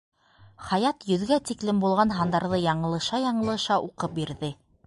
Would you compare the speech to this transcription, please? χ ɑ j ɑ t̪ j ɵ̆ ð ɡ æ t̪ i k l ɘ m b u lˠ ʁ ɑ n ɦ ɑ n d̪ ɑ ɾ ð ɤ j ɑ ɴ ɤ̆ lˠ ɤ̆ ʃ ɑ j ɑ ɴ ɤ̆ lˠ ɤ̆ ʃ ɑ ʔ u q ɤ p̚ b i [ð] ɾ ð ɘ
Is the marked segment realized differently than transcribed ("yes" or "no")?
yes